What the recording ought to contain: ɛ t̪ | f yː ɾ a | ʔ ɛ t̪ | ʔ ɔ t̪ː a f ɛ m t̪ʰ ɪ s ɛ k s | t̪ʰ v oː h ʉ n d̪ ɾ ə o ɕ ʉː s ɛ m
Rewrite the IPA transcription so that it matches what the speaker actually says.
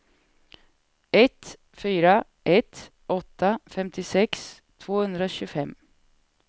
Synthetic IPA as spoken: ɛ t̪ | f yː ɾ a | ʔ ɛ t̪ | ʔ ɔ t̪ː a f ɛ m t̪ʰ ɪ s ɛ k s | t̪ʰ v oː h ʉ n d̪ ɾ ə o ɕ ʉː f ɛ m